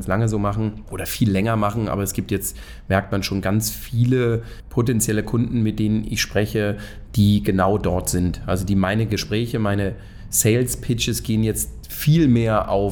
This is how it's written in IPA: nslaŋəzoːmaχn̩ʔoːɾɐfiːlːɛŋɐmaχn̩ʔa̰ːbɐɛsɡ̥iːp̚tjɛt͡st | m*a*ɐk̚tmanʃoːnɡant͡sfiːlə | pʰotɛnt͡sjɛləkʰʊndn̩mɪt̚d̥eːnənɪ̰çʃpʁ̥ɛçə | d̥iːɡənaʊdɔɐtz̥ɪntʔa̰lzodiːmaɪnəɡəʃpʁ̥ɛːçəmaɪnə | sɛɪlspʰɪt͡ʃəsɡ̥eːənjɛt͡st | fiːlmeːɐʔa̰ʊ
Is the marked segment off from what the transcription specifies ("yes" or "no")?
yes